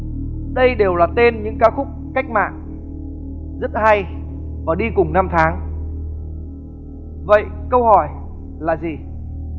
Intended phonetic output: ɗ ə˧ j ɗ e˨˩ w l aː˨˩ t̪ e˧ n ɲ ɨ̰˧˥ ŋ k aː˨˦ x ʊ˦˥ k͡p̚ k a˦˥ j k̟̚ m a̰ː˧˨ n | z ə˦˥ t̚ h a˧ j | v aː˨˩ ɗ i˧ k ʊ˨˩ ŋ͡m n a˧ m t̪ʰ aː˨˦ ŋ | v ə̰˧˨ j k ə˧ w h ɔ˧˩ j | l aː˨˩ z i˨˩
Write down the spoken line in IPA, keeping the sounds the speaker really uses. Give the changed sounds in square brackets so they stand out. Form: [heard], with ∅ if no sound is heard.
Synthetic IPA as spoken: ɗ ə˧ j ɗ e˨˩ w l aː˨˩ t̪ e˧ n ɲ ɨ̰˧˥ ŋ k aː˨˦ x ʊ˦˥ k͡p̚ k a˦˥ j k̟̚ m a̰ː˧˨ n | z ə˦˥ t̚ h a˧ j | v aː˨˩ ɗ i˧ k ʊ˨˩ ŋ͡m n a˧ m t̪ʰ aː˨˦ ŋ | v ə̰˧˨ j k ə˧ w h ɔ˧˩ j | l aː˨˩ z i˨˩